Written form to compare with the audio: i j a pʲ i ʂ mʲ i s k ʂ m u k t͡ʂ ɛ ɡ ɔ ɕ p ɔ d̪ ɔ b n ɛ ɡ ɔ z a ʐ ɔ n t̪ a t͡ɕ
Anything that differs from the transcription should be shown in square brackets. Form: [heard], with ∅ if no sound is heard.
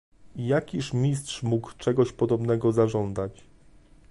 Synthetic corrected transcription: i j a [kʲ] i ʂ mʲ i s [t] ʂ m u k t͡ʂ ɛ ɡ ɔ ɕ p ɔ d̪ ɔ b n ɛ ɡ ɔ z a ʐ ɔ n [d̪] a t͡ɕ